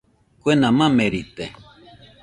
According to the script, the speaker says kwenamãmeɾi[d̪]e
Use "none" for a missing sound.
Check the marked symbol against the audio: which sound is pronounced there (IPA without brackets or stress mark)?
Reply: t̪